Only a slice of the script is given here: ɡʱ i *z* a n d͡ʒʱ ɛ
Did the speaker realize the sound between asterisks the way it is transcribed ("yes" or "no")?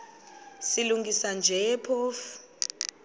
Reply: no